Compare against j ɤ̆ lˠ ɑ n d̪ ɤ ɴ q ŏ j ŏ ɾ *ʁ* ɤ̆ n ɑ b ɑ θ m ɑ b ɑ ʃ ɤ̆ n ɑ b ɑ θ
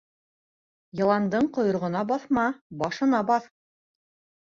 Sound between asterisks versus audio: correct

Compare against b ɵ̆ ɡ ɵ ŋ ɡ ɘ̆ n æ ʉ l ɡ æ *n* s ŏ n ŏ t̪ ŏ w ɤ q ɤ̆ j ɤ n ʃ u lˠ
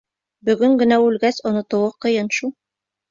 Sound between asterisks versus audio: incorrect: none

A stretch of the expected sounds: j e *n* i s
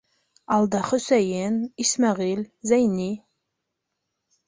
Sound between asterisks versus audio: correct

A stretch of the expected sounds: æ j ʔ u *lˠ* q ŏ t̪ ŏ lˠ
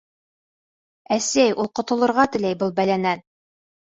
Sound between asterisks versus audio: correct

